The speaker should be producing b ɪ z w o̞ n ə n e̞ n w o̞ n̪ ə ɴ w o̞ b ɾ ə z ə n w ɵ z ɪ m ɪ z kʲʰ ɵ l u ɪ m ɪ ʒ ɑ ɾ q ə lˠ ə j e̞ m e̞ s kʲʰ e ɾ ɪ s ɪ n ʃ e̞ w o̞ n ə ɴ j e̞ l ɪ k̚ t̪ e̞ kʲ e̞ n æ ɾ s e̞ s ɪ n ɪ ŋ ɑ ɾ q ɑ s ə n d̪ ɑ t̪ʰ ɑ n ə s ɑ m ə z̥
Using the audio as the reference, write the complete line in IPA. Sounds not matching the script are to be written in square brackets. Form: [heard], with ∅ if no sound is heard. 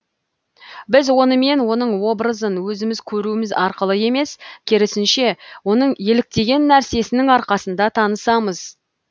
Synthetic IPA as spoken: b ɪ z w o̞ n ə [m] e̞ n w o̞ n̪ ə ɴ w o̞ b ɾ ə z ə n w ɵ z ɪ m ɪ z kʲʰ ɵ [ɾ] u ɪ m ɪ [z] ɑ ɾ q ə lˠ ə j e̞ m e̞ s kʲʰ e ɾ ɪ s ɪ n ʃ e̞ w o̞ n ə ɴ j e̞ l ɪ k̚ t̪ e̞ [ɡʲ] e̞ [nː] æ ɾ s e̞ s ɪ n ɪ ŋ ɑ ɾ q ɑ s ə n d̪ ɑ t̪ʰ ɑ n ə s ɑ m ə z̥